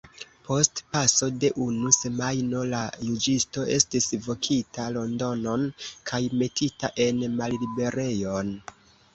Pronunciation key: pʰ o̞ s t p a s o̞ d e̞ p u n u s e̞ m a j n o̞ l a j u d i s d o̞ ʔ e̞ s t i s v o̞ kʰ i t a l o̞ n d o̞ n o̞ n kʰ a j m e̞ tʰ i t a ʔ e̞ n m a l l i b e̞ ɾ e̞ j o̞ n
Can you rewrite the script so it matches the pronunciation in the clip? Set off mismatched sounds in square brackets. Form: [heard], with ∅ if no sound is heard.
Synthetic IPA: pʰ o̞ s t p a s o̞ d e̞ [ʔ] u n u s e̞ m a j n o̞ l a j u [d͡ʒ] i s [t] o̞ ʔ e̞ s t i s v o̞ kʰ i t a l o̞ n d o̞ n o̞ n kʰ a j m e̞ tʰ i t a ʔ e̞ n m a l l i b e̞ ɾ e̞ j o̞ n